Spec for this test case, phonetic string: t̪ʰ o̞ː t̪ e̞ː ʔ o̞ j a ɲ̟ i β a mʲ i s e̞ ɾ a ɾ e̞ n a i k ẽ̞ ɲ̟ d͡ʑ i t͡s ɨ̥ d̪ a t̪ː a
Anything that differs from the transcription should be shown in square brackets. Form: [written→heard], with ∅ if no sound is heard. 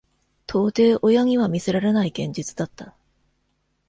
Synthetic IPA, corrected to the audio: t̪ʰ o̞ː t̪ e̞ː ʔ o̞ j a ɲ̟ i β a mʲ i s e̞ ɾ a ɾ e̞ n a i [k→ɡ] ẽ̞ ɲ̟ d͡ʑ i t͡s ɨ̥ d̪ a t̪ː a